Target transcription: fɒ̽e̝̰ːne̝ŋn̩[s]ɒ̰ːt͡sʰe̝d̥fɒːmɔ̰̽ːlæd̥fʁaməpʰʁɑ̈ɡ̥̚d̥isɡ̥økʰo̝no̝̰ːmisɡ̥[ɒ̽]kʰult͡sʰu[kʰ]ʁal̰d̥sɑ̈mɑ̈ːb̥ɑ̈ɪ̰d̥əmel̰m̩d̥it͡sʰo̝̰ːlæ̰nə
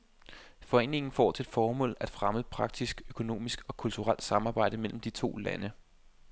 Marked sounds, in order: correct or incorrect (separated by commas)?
incorrect, correct, incorrect